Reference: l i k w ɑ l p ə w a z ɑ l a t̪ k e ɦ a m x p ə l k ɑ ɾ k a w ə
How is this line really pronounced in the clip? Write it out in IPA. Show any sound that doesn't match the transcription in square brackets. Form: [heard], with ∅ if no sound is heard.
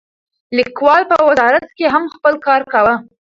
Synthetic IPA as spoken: l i k w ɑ l p ə w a z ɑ [ɾ] a t̪ k e ɦ a m x p ə l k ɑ ɾ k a w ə